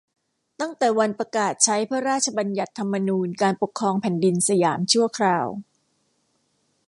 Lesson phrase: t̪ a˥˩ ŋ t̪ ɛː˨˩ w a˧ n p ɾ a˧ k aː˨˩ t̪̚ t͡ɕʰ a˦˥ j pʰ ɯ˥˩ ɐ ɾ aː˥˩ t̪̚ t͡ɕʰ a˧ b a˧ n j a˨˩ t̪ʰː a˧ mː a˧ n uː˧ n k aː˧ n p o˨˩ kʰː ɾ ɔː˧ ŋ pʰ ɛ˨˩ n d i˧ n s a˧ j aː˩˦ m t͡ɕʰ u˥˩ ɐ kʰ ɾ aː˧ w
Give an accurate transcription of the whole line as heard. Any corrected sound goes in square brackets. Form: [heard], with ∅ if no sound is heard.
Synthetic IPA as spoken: t̪ a˥˩ ŋ t̪ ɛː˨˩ w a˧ n p ɾ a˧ k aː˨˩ t̪̚ t͡ɕʰ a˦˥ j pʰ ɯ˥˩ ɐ ɾ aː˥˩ t̪̚ t͡ɕʰ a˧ b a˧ n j a˨˩ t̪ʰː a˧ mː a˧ n uː˧ n k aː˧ n p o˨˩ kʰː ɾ ɔː˧ ŋ pʰ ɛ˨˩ n d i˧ n s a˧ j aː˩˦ m t͡ɕʰ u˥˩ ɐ kʰ ɾ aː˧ w